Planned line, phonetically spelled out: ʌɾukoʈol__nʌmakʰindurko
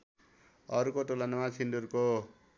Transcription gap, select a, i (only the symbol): a